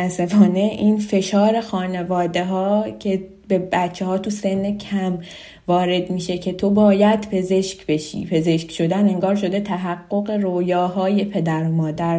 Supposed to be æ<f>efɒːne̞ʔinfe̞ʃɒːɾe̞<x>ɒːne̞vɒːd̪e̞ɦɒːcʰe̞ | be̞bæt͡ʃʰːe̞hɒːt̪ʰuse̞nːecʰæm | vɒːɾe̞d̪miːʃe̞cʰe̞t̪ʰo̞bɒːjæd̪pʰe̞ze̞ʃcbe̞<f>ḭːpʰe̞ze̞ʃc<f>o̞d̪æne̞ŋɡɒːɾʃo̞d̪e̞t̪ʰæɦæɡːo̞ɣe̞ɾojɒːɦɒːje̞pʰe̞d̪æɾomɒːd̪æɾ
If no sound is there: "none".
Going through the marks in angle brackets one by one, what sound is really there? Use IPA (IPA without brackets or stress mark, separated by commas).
s, x, ʃ, ʃ